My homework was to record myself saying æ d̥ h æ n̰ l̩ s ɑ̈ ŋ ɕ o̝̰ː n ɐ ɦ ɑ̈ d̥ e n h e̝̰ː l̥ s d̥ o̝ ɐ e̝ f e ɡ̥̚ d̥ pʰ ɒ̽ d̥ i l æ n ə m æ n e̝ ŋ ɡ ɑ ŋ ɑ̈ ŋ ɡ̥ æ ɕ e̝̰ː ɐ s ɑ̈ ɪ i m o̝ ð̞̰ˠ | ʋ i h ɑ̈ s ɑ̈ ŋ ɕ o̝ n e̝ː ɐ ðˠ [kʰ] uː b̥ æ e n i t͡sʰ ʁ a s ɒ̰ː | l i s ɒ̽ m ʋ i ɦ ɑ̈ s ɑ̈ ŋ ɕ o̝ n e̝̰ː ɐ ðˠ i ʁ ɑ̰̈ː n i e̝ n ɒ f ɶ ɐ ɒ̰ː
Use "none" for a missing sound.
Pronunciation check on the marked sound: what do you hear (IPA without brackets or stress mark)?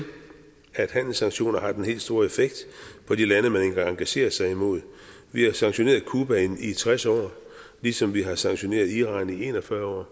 kʰ